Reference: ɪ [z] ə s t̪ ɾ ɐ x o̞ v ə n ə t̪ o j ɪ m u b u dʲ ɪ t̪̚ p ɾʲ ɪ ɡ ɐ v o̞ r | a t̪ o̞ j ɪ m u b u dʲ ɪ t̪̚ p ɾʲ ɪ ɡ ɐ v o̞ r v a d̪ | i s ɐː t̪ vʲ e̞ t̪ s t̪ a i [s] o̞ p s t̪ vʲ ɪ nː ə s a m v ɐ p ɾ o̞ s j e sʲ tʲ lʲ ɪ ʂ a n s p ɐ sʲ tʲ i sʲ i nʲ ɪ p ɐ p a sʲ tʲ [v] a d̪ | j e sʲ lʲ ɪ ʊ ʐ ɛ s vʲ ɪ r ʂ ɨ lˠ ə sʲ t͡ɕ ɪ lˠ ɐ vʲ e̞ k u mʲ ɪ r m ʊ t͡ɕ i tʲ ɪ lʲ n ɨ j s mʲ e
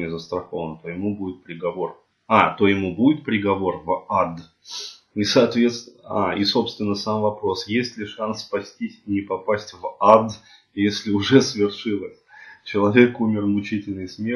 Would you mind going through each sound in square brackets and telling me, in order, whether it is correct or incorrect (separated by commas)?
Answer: correct, correct, correct